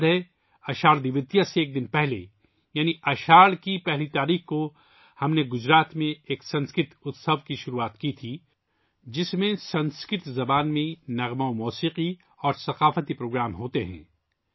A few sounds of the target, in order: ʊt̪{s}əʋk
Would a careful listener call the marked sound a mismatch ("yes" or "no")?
no